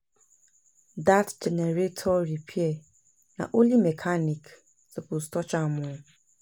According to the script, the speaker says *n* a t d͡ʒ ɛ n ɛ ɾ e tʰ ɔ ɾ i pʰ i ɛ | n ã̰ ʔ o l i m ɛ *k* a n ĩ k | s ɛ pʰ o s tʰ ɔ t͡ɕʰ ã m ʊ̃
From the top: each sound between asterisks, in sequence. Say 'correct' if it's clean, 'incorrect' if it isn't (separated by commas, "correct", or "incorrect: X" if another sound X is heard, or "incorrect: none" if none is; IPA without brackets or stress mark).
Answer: incorrect: d, incorrect: kʰ